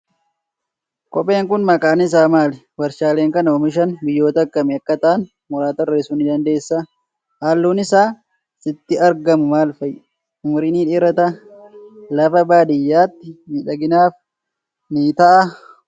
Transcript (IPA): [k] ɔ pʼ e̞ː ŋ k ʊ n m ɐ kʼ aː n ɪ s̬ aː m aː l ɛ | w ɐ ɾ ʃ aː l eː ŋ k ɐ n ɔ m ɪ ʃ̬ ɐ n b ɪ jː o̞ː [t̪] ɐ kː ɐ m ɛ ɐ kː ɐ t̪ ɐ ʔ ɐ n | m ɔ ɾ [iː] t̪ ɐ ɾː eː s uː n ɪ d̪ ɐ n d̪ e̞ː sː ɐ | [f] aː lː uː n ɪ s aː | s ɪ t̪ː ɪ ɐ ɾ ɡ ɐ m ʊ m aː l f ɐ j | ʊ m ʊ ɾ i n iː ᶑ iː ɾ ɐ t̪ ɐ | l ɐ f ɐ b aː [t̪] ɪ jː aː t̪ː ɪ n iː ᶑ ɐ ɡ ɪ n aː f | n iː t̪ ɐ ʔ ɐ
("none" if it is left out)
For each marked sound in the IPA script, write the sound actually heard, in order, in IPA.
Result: kʼ, t̪, aː, h, d̪

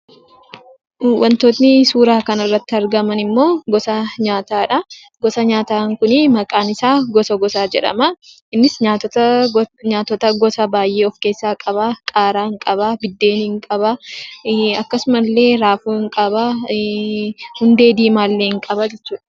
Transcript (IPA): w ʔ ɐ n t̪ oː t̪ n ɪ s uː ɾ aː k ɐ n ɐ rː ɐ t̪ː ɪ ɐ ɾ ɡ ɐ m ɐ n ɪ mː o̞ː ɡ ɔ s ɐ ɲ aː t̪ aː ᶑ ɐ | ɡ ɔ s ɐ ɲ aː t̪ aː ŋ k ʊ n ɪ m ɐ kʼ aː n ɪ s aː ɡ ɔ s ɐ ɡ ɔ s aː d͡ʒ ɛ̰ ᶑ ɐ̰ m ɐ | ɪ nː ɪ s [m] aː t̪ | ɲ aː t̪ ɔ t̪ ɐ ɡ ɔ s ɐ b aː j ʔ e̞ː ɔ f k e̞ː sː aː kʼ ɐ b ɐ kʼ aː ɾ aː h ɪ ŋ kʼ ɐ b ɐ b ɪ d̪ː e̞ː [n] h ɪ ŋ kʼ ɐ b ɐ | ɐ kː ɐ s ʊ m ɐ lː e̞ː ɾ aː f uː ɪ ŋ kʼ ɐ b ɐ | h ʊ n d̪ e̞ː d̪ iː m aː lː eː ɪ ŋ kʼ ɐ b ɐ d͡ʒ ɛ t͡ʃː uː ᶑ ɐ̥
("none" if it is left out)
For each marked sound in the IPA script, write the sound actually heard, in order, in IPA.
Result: ɲ, n

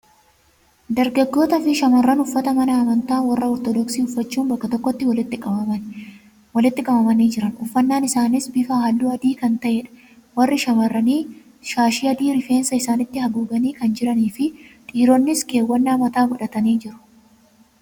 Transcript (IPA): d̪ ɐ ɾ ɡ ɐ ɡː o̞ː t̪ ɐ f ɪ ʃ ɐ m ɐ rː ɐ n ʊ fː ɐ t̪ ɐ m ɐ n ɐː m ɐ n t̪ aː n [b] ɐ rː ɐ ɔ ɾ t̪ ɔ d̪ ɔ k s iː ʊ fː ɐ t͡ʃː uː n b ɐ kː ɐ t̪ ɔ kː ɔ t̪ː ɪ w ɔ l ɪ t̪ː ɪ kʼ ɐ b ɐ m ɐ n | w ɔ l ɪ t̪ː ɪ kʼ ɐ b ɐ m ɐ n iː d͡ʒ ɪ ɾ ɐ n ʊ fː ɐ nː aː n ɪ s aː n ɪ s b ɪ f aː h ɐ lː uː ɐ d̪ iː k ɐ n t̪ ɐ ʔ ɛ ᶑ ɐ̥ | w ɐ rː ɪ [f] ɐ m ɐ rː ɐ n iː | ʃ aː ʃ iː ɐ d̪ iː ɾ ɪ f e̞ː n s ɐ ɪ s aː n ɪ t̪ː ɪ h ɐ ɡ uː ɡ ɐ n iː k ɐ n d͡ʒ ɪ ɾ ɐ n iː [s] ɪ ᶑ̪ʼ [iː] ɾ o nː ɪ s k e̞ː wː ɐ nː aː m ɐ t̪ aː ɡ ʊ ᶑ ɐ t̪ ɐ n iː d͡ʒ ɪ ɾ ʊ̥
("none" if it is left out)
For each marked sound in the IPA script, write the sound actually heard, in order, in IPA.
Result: w, ʃ, f, iː

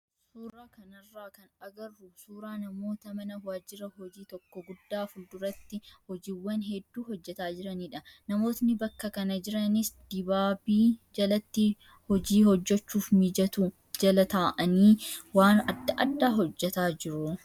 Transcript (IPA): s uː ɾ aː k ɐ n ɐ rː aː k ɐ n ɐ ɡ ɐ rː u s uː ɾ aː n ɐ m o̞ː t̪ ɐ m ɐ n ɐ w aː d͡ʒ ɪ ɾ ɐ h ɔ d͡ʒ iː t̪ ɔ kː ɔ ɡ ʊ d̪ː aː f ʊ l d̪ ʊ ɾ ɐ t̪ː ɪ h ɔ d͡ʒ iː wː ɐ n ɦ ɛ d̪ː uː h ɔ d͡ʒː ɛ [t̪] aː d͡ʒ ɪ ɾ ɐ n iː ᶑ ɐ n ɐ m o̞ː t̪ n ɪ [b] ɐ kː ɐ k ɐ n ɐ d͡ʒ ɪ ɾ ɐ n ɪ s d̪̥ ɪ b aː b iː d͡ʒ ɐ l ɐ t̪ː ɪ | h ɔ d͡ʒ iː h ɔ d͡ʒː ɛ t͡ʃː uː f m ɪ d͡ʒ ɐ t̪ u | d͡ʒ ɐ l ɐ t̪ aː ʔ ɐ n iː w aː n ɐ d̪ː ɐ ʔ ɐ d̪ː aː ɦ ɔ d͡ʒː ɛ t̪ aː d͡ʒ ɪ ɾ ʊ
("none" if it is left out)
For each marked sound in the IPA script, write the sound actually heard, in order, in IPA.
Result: t̪, b

